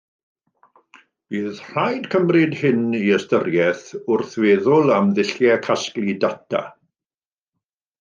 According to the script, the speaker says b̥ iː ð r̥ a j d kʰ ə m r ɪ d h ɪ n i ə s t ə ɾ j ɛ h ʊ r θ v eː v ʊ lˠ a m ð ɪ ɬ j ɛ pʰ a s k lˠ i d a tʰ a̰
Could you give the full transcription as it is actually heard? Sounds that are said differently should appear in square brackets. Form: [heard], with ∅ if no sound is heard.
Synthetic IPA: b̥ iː ð r̥ a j d kʰ ə m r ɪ d h ɪ n i ə s t ə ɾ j ɛ [θ] ʊ r θ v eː [ð] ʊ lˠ a m ð ɪ ɬ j ɛ [kʰ] a s k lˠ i d a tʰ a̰